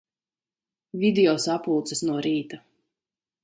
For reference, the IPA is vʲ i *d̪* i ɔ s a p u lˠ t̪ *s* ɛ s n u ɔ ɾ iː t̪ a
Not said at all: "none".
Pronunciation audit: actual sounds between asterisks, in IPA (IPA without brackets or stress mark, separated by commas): d̪, s